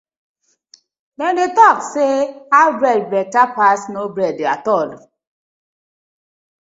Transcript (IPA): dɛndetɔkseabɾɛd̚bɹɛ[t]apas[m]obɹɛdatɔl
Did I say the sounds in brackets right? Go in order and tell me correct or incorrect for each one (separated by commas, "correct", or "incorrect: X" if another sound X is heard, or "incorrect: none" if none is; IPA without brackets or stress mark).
correct, incorrect: n